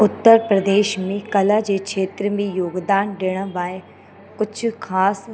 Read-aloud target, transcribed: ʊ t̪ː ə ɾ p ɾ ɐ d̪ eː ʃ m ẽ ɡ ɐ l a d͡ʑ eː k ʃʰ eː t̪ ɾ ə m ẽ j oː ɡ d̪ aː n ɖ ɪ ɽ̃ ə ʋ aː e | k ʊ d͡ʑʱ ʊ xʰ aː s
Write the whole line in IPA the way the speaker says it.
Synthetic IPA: ʊ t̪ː ə ɾ p ɾ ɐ d̪ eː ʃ m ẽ k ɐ l a d͡ʑ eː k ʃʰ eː t̪ ɾ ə m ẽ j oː ɡ d̪ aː n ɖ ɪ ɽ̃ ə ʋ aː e | k ʊ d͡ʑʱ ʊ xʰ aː s